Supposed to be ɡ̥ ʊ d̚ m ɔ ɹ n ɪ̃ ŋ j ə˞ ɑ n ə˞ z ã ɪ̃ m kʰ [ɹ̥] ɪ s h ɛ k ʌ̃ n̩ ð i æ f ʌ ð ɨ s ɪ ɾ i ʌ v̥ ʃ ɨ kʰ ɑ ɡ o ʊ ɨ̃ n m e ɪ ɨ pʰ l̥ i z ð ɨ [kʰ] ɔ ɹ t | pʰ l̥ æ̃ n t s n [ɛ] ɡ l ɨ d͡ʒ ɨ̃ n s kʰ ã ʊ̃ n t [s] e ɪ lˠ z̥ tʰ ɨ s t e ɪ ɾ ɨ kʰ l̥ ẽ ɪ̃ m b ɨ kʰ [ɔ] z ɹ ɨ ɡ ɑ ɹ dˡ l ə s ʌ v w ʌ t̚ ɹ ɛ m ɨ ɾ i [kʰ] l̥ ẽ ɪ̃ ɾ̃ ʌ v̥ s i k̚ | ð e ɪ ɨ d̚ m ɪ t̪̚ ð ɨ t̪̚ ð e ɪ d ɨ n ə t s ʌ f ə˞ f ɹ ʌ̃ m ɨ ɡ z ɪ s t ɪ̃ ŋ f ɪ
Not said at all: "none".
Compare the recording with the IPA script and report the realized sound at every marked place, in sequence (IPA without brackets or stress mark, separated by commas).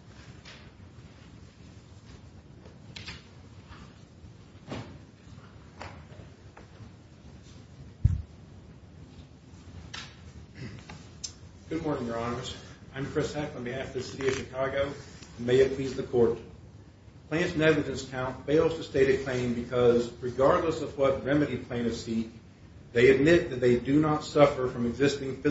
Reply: ɹ̥, kʰ, ɛ, f, ʌ, pʰ